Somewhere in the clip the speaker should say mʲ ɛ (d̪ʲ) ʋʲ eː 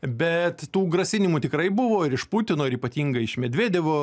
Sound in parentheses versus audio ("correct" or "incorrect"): correct